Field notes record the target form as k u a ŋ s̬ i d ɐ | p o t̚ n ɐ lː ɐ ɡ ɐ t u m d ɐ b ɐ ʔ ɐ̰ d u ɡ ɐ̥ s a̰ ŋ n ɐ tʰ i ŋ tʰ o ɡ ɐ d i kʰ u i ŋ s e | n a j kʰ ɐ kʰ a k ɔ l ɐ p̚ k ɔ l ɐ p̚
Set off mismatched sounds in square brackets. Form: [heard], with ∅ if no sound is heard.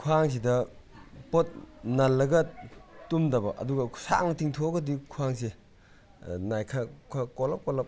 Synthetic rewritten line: [kʰ] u a ŋ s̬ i d ɐ | p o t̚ n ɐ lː ɐ ɡ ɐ t u m d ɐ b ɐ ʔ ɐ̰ d u ɡ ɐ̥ s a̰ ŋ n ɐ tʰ i ŋ tʰ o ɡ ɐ d i kʰ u [a] ŋ s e | n a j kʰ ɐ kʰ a k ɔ l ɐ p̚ k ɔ l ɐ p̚